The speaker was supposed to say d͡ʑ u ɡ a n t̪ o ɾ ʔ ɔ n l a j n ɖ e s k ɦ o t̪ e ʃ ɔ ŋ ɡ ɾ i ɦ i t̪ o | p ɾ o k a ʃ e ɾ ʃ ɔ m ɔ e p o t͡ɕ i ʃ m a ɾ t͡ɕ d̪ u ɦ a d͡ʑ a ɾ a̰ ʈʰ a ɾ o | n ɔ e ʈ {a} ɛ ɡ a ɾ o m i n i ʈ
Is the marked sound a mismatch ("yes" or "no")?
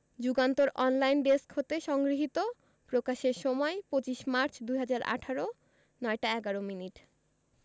no